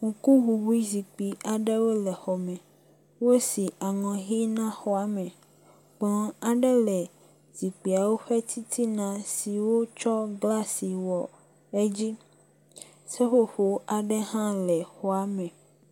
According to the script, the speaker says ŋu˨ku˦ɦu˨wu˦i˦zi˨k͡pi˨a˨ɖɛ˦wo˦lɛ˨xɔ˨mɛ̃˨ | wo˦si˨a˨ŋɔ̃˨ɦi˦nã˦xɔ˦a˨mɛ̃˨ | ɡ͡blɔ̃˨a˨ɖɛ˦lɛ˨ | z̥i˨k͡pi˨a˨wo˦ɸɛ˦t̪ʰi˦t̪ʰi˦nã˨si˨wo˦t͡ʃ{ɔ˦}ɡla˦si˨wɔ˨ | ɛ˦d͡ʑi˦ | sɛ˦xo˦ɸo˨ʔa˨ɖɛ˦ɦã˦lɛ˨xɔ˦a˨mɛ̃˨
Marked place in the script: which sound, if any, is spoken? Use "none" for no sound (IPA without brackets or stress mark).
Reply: ɔ˦